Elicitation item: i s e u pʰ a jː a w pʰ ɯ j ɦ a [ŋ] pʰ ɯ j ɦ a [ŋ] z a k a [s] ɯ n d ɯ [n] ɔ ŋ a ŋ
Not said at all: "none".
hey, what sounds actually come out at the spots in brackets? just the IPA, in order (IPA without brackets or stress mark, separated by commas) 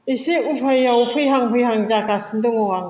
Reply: ŋ, ŋ, s, ŋ